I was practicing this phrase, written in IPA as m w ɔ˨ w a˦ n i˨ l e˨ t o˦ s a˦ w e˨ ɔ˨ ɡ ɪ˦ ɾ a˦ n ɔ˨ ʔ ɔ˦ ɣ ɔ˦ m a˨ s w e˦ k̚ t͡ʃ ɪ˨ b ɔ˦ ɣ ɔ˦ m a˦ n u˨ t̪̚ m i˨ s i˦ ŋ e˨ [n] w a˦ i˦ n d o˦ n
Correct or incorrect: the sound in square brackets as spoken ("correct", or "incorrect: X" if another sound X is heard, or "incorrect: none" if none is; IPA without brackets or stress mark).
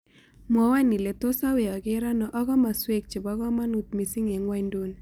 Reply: incorrect: ŋ